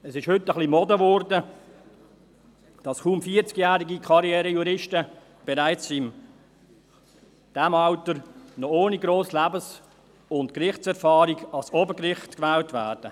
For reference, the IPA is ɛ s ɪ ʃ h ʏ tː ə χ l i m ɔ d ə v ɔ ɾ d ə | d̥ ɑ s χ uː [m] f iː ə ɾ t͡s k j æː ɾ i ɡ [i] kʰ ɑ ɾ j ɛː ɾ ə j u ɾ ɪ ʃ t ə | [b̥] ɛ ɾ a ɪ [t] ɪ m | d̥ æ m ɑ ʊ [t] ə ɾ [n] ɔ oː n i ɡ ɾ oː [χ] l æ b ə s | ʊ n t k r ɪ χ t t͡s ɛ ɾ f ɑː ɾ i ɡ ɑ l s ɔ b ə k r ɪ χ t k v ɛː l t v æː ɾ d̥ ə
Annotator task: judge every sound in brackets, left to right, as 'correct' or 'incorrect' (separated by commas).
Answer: correct, correct, correct, incorrect, correct, correct, incorrect